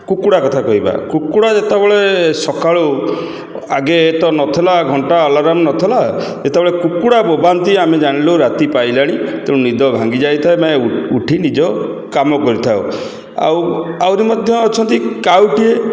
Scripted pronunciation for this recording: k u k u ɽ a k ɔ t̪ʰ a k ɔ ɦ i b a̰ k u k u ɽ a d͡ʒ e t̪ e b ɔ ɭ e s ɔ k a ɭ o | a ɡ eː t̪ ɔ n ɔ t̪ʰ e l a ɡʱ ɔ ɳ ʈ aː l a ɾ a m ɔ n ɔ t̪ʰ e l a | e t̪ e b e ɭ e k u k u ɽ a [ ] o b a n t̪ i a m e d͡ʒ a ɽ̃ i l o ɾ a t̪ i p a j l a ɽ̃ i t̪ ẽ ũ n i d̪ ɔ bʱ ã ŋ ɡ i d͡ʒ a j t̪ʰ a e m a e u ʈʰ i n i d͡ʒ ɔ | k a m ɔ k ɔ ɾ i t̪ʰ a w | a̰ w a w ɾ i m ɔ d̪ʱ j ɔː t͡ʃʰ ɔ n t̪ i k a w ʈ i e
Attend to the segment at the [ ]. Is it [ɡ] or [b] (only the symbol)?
b